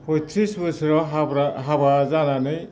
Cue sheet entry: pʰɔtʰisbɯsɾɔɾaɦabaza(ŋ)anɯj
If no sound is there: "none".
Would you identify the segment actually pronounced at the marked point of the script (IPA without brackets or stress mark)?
n